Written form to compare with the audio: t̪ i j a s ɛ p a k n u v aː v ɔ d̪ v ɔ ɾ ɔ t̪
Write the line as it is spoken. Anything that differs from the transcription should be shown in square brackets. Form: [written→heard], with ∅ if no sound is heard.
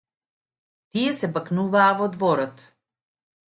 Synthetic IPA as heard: t̪ i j [a→ɛ] s ɛ [p→b] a k n u v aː v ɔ d̪ v ɔ ɾ ɔ t̪